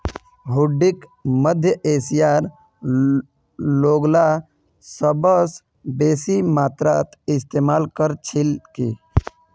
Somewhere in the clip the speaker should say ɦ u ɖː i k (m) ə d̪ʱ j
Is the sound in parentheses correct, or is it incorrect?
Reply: correct